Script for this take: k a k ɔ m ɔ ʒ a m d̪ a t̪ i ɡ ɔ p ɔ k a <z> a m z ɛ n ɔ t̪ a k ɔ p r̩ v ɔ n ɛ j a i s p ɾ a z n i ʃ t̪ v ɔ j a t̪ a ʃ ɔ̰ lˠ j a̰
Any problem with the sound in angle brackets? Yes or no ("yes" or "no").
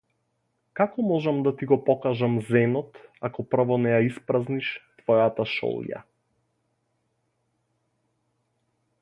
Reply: yes